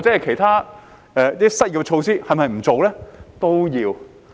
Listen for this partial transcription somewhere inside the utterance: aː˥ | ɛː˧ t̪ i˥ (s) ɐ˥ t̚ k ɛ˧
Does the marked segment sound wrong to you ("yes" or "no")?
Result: no